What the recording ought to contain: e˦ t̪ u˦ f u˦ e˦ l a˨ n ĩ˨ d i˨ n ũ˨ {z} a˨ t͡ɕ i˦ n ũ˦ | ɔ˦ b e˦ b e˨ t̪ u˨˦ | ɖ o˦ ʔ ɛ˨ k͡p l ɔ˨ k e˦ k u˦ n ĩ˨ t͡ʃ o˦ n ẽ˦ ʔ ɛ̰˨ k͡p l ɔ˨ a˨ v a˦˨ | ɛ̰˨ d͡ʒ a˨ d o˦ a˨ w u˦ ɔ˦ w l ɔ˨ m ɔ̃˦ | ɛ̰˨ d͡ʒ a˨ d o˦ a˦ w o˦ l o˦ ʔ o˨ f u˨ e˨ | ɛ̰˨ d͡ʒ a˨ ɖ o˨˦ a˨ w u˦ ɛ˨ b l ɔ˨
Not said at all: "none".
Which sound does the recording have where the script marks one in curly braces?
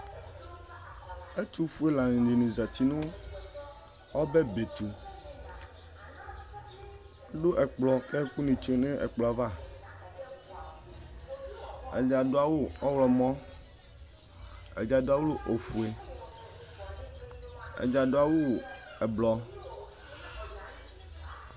z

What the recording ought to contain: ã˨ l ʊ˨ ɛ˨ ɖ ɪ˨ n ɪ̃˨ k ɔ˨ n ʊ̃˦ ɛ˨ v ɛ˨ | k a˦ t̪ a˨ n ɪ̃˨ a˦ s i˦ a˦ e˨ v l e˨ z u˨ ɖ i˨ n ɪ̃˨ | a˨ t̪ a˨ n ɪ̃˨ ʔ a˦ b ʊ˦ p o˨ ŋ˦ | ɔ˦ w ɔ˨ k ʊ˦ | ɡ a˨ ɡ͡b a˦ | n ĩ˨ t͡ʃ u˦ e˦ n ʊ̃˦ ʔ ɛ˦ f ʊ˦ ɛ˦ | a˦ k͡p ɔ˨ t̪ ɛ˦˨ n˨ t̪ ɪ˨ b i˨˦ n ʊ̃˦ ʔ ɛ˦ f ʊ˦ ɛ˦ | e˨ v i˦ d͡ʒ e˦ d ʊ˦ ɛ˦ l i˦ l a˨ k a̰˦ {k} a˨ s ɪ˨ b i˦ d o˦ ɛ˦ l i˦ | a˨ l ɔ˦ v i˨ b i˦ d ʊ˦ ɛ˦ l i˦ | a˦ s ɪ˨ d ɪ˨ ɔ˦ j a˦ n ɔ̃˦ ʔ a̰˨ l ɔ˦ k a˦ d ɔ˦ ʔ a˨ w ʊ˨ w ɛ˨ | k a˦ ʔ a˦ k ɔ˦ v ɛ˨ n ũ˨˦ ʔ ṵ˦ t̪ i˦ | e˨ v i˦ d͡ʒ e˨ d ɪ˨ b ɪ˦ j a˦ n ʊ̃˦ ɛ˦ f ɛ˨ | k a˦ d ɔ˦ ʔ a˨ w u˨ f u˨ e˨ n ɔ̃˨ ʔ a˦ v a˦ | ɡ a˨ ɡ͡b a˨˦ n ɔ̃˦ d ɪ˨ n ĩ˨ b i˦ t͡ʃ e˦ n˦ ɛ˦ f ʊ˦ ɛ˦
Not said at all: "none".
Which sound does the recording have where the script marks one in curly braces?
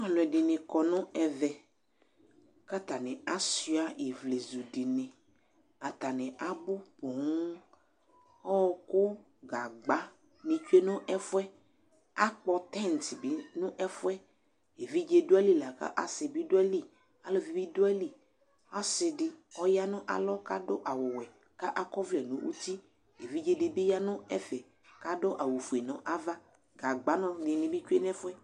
ʔ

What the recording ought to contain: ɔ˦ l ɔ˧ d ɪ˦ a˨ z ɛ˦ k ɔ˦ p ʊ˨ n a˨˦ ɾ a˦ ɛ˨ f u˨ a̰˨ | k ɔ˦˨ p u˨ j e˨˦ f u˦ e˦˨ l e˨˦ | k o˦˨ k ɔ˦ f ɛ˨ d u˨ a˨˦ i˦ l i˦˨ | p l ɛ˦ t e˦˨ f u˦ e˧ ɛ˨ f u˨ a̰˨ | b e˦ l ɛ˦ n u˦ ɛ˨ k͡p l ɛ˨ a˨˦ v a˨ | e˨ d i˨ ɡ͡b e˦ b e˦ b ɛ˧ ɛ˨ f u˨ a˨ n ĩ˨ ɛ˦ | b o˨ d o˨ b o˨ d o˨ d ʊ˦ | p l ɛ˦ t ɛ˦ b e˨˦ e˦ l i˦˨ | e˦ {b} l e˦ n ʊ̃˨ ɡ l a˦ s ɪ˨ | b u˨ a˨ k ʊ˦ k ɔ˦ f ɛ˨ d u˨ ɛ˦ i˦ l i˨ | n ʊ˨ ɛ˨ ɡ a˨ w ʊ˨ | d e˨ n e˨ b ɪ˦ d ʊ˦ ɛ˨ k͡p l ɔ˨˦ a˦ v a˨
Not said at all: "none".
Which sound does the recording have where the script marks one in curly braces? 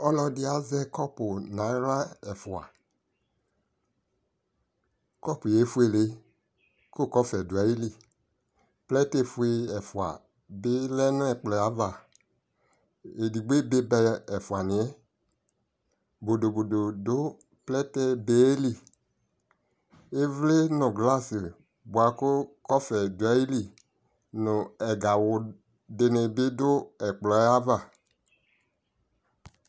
v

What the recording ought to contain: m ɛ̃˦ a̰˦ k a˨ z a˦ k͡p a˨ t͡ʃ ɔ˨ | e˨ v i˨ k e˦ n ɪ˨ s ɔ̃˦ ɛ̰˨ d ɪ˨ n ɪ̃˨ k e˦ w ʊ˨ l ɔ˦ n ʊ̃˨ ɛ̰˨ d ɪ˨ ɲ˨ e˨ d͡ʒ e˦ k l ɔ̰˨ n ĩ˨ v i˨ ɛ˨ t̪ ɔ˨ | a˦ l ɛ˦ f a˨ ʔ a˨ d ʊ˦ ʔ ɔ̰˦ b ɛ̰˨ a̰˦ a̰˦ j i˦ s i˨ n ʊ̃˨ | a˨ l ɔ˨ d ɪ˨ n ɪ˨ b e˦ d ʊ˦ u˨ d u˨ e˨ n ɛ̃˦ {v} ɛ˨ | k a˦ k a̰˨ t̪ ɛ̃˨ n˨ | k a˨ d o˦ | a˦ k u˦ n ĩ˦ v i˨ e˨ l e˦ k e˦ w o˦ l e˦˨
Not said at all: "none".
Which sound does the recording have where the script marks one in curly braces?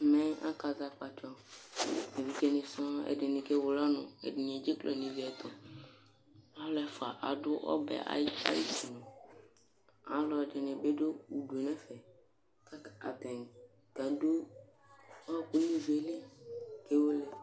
f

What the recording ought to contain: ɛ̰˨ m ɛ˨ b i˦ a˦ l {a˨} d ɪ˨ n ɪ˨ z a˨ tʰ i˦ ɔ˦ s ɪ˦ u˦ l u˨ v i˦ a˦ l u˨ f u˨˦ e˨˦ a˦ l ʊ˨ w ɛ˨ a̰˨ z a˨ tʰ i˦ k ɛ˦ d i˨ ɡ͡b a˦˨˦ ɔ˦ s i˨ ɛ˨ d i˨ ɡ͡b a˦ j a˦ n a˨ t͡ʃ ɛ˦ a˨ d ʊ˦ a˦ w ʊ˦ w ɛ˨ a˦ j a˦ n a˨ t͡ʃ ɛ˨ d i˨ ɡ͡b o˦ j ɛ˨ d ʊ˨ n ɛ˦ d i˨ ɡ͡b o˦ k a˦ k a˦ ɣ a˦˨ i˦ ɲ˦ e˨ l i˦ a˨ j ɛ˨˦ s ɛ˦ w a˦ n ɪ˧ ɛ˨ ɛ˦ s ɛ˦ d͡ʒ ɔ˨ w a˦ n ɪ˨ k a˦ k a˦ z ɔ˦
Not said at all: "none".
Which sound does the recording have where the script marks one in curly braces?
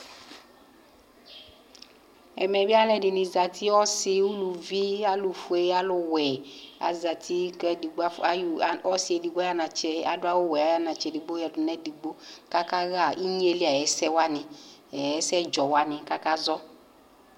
ɛ˨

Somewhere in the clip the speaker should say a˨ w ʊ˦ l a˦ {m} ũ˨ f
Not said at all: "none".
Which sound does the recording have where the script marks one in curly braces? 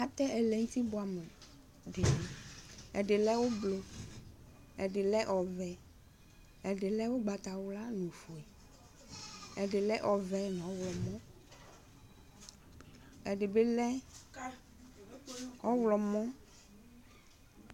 n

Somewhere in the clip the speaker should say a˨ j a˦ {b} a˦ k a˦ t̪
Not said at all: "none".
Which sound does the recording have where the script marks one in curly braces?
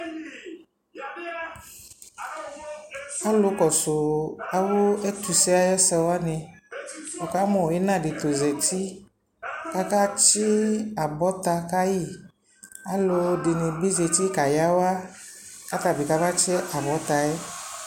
w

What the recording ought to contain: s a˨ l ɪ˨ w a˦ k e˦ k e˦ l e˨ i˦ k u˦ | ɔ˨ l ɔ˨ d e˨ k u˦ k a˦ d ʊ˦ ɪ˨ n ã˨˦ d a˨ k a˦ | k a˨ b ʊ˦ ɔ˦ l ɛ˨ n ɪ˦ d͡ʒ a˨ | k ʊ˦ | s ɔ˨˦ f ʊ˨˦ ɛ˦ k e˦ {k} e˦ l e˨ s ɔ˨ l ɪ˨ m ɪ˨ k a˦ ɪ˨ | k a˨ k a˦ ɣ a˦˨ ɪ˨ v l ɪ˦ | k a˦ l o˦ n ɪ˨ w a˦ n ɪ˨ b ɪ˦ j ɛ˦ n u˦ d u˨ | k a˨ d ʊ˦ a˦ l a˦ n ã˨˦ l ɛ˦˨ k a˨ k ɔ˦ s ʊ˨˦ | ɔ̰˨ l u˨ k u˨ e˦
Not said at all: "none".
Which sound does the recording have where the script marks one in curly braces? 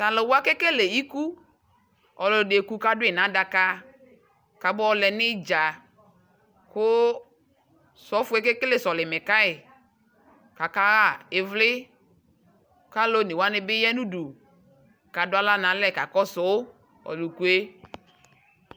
k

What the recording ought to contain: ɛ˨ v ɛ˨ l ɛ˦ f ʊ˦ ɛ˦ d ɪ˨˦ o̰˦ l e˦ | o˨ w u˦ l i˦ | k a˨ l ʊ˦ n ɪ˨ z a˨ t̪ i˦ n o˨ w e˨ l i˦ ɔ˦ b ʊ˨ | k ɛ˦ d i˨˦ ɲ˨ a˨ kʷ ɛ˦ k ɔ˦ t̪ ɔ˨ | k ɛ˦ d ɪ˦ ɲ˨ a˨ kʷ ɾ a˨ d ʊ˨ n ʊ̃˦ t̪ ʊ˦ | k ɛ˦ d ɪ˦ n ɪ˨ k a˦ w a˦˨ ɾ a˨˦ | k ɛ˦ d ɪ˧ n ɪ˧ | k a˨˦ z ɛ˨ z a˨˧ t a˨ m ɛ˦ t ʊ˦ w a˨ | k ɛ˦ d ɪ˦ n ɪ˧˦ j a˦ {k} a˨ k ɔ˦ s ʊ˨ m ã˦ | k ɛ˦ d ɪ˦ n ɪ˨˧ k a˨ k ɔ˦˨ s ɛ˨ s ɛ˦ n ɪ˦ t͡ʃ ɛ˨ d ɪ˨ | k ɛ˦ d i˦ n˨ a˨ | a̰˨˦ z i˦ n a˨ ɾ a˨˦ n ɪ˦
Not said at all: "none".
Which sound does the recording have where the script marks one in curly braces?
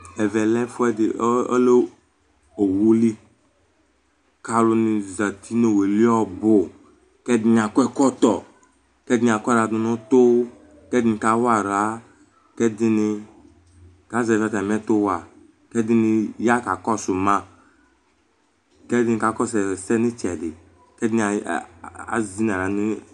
k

